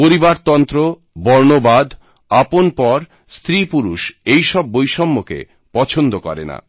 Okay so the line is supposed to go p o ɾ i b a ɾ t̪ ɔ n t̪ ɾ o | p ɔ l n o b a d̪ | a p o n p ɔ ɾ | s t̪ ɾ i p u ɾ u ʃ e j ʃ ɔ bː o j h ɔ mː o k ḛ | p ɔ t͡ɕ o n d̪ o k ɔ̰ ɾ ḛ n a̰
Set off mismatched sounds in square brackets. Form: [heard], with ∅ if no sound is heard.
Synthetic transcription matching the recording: p o ɾ i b a ɾ t̪ ɔ n t̪ ɾ o | [b] ɔ [ɾ] n o b a d̪ | a p o n p ɔ ɾ | s t̪ ɾ i p u ɾ u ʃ e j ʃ ɔ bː o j [ʃ] ɔ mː o k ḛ | p ɔ [t͡ɕʰ] o n d̪ o k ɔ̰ ɾ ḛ n a̰

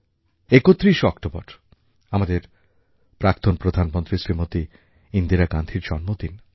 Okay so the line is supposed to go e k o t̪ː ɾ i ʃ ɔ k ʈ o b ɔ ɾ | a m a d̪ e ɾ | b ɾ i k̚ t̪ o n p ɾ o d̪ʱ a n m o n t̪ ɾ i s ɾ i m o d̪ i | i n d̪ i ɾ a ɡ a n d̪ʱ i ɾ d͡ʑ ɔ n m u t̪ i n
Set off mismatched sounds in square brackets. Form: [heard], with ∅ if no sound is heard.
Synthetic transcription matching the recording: e k o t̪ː ɾ i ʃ ɔ k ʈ o b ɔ ɾ | a m a d̪ e ɾ | [p] ɾ [a] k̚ t̪ o n p ɾ o d̪ʱ a n m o n t̪ ɾ i s ɾ i m o [t̪] i | i n d̪ i ɾ a ɡ a n d̪ʱ i ɾ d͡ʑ ɔ n m [o] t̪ i n

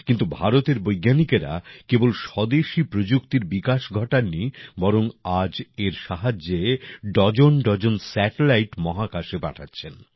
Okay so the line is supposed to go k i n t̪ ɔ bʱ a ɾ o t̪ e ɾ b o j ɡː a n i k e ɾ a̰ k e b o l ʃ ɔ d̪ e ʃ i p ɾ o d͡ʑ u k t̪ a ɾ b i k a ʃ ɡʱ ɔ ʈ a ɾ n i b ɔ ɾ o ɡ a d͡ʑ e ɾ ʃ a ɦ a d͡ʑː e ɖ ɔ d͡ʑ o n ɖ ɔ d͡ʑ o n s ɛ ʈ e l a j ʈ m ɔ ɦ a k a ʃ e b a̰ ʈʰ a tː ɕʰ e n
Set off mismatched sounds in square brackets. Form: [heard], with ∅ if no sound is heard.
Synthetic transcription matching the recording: k i n t̪ [u] bʱ a ɾ o t̪ e ɾ b o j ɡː a n i k e ɾ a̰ k e b o l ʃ ɔ d̪ e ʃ i p ɾ o d͡ʑ u k t̪ [i] ɾ b i k a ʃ ɡʱ ɔ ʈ a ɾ n i b ɔ ɾ o [ŋ] a d͡ʑ e ɾ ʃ a ɦ a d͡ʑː e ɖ ɔ d͡ʑ o n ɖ ɔ d͡ʑ o n s ɛ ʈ e l a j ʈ m ɔ ɦ a k a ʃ e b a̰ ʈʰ a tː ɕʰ e n

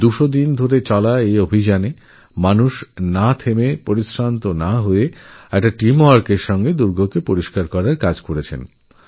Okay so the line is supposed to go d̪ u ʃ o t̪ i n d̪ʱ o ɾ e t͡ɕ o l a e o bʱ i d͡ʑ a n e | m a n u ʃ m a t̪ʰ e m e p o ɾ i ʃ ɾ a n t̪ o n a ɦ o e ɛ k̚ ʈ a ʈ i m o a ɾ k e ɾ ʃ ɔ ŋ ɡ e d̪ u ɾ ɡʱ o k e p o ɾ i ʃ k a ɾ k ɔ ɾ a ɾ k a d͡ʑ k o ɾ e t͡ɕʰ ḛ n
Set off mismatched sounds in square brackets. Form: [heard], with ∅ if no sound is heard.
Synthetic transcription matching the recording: d̪ u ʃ o [d̪] i n d̪ʱ o ɾ e t͡ɕ [ɔ] l a e o bʱ i d͡ʑ a n e | m a n u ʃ [n] a t̪ʰ e m e p o ɾ i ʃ ɾ a n t̪ o n a ɦ o e ɛ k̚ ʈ a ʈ i m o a ɾ k e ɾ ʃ ɔ ŋ ɡ e d̪ u ɾ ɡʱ o k e p o ɾ i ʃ k a ɾ k ɔ ɾ a ɾ k a d͡ʑ k o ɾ e t͡ɕʰ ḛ n

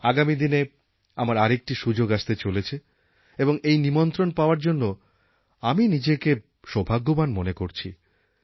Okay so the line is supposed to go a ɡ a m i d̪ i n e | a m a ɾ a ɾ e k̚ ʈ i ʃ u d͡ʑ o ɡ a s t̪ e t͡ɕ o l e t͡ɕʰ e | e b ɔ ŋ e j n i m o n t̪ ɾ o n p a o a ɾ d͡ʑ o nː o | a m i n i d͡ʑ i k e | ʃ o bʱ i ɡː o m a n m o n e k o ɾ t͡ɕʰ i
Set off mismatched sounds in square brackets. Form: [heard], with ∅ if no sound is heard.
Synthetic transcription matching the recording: a ɡ a m i d̪ i n e | a m a ɾ a ɾ e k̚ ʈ i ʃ u d͡ʑ o ɡ a [ʃ] t̪ e t͡ɕ o l e t͡ɕʰ e | e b [o] ŋ e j n i m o n t̪ ɾ o n p a o a ɾ d͡ʑ o nː o | a m i n i d͡ʑ [e] k e | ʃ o bʱ [a] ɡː o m a n m o n e k o ɾ t͡ɕʰ i

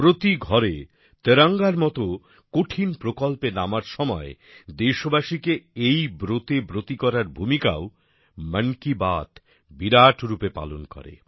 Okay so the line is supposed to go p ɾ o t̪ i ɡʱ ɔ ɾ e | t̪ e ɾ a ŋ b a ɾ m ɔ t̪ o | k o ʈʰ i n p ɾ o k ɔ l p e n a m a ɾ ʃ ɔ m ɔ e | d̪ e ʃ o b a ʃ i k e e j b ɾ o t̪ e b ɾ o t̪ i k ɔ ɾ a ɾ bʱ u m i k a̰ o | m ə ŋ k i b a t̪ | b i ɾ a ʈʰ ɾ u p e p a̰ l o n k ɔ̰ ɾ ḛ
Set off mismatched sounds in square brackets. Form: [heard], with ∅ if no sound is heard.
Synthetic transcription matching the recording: p ɾ o t̪ i ɡʱ ɔ ɾ e | t̪ e ɾ a ŋ [ɡ] a ɾ m ɔ t̪ o | k o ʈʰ i n p ɾ o k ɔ l p e n a m a ɾ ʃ ɔ m ɔ e | d̪ e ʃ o b a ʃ i k e e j b ɾ o t̪ e b ɾ o t̪ i k ɔ ɾ a ɾ bʱ u m i k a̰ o | m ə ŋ k i b a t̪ | b i ɾ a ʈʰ ɾ u p e p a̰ l o n k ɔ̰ ɾ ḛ

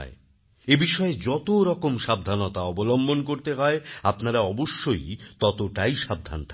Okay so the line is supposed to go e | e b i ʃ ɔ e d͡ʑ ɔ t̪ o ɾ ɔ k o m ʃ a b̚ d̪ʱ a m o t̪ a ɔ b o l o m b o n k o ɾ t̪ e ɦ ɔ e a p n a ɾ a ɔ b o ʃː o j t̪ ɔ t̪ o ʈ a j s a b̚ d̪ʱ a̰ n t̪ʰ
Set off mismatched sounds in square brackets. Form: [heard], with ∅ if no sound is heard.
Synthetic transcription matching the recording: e | e b i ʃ ɔ e d͡ʑ ɔ t̪ o ɾ ɔ k o m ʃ a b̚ d̪ʱ a [n] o t̪ a ɔ b o l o m b o n k o ɾ t̪ e ɦ ɔ e a p n a ɾ a ɔ b o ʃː o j t̪ ɔ t̪ o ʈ a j [ʃ] a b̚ d̪ʱ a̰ n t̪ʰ

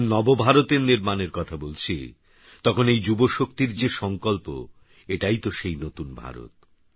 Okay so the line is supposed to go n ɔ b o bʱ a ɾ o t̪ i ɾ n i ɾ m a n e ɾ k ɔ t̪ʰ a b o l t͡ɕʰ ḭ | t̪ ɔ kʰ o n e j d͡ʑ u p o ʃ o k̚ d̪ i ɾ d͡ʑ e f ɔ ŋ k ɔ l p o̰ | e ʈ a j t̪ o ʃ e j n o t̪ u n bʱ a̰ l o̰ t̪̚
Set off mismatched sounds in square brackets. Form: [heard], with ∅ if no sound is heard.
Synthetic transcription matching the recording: n ɔ b o bʱ a ɾ o t̪ [e] ɾ n i ɾ m a n e ɾ k ɔ t̪ʰ a b o l t͡ɕʰ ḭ | t̪ ɔ kʰ o n e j d͡ʑ u [b] o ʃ o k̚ [t̪] i ɾ d͡ʑ e [ʃ] ɔ ŋ k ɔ l p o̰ | e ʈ a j t̪ o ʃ e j n o t̪ u n bʱ a̰ [ɾ] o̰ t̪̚

